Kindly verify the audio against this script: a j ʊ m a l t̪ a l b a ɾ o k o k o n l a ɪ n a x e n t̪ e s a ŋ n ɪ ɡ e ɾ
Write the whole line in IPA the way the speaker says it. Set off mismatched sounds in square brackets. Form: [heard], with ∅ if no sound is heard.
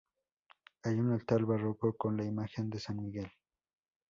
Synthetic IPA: a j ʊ [n] a l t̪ a l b a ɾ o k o k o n l a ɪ [m] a x e n [d̪] e s a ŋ [m] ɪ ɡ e [l]